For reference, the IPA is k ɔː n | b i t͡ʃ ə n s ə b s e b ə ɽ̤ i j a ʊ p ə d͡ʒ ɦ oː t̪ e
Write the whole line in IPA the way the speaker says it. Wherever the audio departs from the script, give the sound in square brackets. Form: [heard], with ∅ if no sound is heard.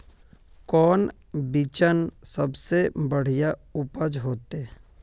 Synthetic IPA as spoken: k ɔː n | b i t͡ʃ ə n s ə b s e b ə ɽ̤ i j a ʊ p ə d͡ʒ ɦ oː t̪ e